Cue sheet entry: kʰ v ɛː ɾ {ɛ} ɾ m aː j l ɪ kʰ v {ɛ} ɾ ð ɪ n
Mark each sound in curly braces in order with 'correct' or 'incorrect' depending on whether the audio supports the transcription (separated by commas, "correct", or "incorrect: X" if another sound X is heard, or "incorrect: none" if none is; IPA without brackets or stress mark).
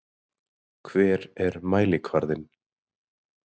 correct, incorrect: a